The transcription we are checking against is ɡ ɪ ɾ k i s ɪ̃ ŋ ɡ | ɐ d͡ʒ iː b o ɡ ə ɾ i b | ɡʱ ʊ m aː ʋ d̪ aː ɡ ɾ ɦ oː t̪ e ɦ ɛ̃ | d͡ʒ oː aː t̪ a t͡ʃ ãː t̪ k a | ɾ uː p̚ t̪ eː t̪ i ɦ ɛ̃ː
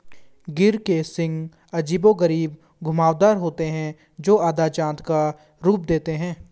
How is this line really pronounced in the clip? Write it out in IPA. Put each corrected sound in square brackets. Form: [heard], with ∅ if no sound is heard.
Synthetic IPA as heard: ɡ ɪ ɾ k [e] s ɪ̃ ŋ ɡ | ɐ d͡ʒ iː b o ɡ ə ɾ [iː] b | ɡʱ ʊ m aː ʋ d̪ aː [∅] ɾ ɦ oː t̪ e ɦ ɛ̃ | d͡ʒ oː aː [d̪] a t͡ʃ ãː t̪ k a | ɾ uː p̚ [d̪] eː t̪ [e] ɦ ɛ̃ː